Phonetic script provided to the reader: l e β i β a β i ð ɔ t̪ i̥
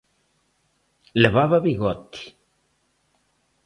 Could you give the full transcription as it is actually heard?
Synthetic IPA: l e β a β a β i ɣ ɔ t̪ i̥